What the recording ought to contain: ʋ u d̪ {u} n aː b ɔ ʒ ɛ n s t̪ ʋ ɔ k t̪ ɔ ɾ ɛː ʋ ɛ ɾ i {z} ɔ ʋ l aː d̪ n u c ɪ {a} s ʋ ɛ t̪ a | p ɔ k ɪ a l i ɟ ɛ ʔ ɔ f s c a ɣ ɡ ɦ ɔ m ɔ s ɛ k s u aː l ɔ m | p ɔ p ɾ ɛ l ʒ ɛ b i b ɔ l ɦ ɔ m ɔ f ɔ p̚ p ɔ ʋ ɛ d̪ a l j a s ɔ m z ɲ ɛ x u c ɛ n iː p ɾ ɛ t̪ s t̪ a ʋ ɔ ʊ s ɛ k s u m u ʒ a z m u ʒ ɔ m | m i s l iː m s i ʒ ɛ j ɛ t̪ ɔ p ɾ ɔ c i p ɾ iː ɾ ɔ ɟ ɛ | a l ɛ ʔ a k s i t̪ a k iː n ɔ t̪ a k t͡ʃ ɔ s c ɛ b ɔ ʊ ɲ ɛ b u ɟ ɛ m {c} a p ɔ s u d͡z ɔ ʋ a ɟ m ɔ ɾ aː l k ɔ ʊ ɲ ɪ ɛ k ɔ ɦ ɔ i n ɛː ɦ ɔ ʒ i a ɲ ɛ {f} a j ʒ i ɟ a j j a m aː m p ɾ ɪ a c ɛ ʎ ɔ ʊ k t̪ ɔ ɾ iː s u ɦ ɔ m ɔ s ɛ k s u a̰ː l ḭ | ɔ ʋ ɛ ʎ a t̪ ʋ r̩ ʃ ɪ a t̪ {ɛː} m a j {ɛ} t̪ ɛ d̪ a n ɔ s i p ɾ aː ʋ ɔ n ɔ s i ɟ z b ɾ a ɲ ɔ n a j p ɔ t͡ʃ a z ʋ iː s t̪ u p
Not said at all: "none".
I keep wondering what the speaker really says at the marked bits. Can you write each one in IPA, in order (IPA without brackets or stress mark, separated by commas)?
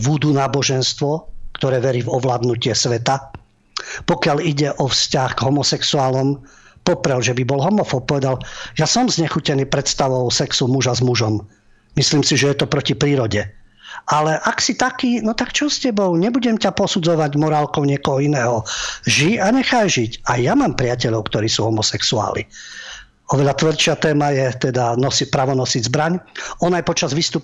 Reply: u, v, ɛ, c, x, ɛː, ɛ